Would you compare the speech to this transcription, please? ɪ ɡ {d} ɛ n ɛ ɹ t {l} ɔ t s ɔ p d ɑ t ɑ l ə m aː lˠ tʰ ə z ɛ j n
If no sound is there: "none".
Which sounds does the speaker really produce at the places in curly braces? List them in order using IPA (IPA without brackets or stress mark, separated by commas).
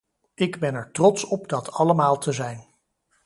b, r